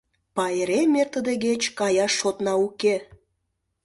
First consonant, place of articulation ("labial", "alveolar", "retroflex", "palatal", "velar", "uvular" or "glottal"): labial